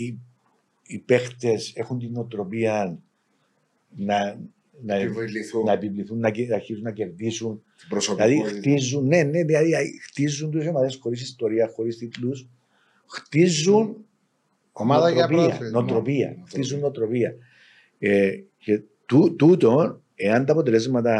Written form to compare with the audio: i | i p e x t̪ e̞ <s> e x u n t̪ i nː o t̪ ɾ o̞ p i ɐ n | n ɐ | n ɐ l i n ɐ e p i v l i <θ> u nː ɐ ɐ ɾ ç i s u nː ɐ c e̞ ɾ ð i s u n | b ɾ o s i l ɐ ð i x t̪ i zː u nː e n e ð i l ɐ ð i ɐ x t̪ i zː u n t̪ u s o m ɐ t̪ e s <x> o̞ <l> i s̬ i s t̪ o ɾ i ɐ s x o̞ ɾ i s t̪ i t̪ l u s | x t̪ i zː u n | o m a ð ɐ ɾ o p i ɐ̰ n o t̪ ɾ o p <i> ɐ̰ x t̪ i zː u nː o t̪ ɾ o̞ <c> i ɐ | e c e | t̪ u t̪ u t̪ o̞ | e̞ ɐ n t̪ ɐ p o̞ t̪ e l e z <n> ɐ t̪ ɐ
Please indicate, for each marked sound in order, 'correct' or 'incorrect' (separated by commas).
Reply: correct, correct, correct, incorrect, correct, incorrect, incorrect